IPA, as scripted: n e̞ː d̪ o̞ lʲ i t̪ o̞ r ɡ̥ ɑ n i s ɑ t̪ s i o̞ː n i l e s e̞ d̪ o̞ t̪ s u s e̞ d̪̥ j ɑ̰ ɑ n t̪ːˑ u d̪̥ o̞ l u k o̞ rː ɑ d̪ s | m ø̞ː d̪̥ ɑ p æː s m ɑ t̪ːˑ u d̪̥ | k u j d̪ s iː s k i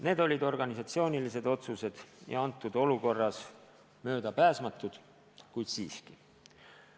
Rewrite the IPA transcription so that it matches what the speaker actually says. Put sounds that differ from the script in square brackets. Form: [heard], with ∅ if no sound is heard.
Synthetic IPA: n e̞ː d̪ o̞ lʲ i [d̪] o̞ r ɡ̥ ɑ n i s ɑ t̪ s i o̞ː n i l [i] s e̞ d̪ o̞ t̪ s u s e̞ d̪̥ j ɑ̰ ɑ n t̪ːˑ u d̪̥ o̞ l u k o̞ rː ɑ [∅] s | m ø̞ː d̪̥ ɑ p æː s m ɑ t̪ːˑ u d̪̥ | k u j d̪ s iː s k i